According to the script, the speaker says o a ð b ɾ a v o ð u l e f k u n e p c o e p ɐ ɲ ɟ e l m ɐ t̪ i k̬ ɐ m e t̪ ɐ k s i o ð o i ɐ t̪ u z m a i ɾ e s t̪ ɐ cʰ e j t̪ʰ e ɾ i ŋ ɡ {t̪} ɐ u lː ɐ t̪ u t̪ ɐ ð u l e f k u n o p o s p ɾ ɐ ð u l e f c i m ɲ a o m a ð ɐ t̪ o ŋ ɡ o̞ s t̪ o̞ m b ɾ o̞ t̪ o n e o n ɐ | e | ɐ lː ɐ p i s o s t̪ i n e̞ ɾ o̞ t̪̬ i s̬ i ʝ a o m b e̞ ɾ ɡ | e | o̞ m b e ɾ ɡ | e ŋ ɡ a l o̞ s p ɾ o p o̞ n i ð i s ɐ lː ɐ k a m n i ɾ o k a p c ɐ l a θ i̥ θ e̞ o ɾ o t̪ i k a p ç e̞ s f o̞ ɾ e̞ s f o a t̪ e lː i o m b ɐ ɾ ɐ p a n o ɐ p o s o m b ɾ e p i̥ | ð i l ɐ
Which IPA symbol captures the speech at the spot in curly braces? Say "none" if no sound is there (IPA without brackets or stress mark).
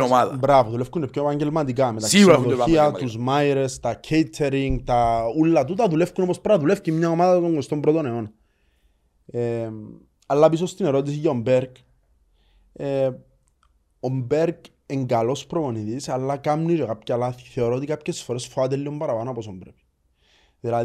t̪